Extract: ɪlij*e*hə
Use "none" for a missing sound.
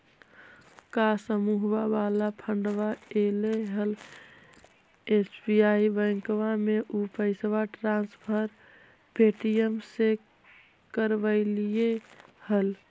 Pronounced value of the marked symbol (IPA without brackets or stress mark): e